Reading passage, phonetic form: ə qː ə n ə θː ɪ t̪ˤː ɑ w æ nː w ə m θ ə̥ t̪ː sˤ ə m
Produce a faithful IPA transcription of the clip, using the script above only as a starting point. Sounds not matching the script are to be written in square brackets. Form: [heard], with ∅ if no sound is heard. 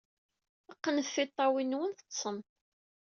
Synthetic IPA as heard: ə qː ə n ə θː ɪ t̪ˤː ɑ w [i] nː w ə [n] θ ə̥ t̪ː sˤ ə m